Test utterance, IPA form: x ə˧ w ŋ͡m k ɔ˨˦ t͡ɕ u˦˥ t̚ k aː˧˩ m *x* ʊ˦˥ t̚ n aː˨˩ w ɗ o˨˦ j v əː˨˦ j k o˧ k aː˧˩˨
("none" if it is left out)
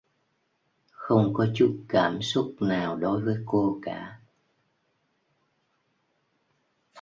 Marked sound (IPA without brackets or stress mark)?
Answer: s